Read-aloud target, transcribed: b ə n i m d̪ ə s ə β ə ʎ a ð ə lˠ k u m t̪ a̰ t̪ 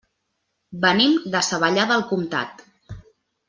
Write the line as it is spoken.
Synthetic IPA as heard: b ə n i m d̪ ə s ə β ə ʎ a ð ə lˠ k u m t̪ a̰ t̪

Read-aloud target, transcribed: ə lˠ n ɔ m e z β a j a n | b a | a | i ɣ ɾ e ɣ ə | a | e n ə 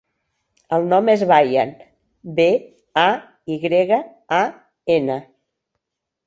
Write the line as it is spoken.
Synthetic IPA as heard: ə lˠ n ɔ m e z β a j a n | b e | a | i ɣ ɾ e ɣ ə | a | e n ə

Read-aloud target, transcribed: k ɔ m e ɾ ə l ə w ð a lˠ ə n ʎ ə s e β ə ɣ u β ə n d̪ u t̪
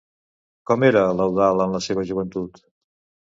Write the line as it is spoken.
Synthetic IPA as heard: k ɔ m e ɾ ə l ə w ð a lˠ ə n l ə s e β ə ʒ u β ə n t̪ u t̪

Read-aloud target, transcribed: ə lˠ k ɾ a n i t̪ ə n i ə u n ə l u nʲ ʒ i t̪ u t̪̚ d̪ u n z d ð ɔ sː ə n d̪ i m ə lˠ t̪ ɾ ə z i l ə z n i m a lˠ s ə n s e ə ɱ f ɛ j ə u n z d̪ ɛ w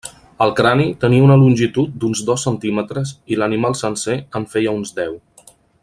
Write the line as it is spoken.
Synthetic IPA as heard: ə lˠ k ɾ a n i t̪ ə n i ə u n ə l u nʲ ʒ i t̪ u t̪̚ d̪ u n z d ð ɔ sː ə n t̪ i m ə t̪ ɾ ə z i l ə n i m a lˠ s ə n s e ə ɱ f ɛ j ə u n z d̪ ɛ w

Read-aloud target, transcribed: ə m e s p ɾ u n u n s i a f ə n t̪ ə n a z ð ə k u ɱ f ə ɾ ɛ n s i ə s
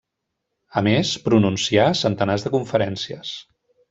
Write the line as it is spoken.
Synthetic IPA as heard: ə m e s p ɾ u n u n s i a s ə n t̪ ə n a z ð ə k u ɱ f ə ɾ ɛ n s i ə s

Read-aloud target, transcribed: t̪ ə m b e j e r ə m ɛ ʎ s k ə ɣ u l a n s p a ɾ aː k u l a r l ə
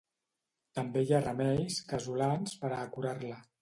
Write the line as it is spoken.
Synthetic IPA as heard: t̪ ə m b e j a r ə m ɛ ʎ s k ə z u l a n s p ə ɾ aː k u ɾ a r l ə

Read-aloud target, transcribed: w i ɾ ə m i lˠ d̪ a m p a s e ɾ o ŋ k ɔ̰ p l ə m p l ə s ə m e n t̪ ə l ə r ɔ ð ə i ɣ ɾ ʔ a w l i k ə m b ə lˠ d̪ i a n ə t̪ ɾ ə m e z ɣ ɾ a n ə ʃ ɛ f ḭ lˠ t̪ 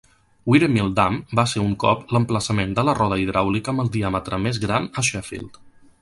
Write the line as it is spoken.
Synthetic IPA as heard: w i ɾ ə m i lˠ d̪ a m b a s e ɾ u ŋ k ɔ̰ p l ə m p l ə s ə m e n d̪ ə l ə r ɔ ð ə i ð ɾ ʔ a w l i k ə m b ə lˠ d̪ i a m ə t̪ ɾ ə m e z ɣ ɾ a n ə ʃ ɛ f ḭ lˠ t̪

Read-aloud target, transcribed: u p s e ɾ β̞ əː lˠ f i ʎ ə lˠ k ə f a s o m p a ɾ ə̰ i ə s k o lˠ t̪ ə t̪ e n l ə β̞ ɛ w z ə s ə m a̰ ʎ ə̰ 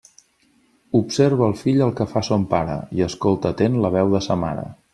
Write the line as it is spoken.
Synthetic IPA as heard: u p s e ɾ β̞ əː lˠ f i ʎ ə lˠ k ə f a s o m p a ɾ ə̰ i ə s k o lˠ t̪ ə t̪ e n l ə β̞ ɛ w ð ə s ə m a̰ ɾ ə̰

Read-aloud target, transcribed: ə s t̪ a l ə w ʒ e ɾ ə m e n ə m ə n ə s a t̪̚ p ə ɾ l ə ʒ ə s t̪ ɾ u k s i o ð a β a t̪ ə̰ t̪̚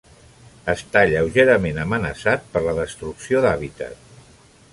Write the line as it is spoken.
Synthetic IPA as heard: ə s t̪ a ʎ ə w ʒ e ɾ ə m e n ə m ə n ə s a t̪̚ p ə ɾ l ə ð ə s t̪ ɾ u k s i o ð a β i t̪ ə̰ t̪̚

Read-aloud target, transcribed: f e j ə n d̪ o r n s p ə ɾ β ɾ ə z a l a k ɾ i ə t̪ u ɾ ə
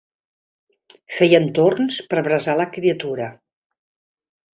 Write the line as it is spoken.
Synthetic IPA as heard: f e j ə n t̪ o r n s p ə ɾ β ɾ ə z a l ə k ɾ i ə t̪ u ɾ ə

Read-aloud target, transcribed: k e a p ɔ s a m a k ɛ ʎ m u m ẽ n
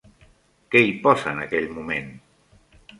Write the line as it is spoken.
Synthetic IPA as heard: k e i p ɔ s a n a k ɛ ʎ m u m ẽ n

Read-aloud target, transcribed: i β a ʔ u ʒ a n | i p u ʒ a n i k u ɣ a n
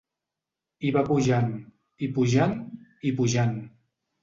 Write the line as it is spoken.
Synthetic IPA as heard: i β a p u ʒ a n | i p u ʒ a n i p u ʒ a n

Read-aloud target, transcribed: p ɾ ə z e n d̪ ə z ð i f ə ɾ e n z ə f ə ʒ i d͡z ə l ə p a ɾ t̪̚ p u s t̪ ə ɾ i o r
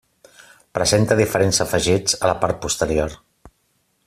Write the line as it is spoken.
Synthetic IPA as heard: p ɾ ə z e n t̪ ə ð i f ə ɾ e n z ə f ə ʒ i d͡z ə l ə p a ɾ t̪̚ p u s t̪ ə ɾ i o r

